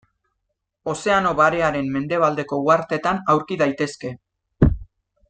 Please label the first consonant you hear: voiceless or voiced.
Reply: voiceless